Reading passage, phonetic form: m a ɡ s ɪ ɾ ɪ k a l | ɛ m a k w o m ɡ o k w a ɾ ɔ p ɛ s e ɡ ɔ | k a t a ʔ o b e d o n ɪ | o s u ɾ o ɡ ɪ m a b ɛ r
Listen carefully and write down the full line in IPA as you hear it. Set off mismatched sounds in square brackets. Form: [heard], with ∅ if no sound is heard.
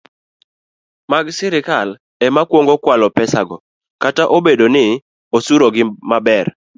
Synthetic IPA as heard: m a ɡ s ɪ ɾ ɪ k a l | ɛ m a k w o [ŋ] ɡ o k w a [l] ɔ p ɛ s [a] ɡ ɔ | k a t a ʔ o b e d o n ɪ | o s u ɾ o ɡ ɪ m a b ɛ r